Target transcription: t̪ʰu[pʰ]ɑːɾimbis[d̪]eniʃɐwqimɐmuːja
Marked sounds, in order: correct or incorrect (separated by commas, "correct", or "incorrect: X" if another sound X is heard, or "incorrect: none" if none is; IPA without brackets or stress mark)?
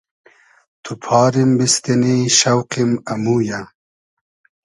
correct, incorrect: t̪